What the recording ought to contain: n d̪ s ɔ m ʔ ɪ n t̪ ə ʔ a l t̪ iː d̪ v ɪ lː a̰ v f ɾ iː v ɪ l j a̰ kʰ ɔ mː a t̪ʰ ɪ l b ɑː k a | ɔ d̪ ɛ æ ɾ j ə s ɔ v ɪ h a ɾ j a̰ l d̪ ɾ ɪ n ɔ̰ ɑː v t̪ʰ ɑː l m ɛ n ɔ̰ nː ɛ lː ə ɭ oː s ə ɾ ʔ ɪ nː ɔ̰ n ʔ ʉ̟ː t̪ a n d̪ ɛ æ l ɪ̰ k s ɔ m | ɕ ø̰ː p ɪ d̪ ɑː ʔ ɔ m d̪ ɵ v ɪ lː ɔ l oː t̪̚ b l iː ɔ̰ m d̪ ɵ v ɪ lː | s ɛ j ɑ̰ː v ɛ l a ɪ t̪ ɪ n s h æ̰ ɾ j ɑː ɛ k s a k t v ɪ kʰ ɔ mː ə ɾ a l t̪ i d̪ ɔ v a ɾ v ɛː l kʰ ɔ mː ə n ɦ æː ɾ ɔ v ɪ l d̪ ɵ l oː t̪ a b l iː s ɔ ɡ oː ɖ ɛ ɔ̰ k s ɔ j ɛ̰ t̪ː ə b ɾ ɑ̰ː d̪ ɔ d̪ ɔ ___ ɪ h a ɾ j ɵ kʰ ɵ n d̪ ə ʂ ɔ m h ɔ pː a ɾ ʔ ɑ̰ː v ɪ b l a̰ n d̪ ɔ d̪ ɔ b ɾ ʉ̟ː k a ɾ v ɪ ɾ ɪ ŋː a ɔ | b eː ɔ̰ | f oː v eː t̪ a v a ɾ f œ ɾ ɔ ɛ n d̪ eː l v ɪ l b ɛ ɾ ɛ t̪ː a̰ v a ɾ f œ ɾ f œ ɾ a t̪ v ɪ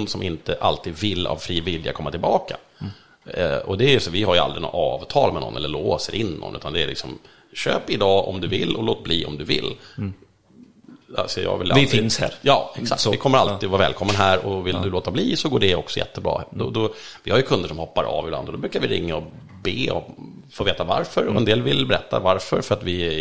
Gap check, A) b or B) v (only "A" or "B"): B